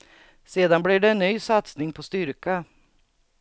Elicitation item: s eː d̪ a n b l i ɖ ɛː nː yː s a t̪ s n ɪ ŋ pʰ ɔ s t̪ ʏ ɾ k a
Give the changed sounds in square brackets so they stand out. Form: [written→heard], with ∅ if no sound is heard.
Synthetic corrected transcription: s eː d̪ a n b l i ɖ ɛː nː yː s a t̪ s n ɪ ŋ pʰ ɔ s t̪ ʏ ɾ k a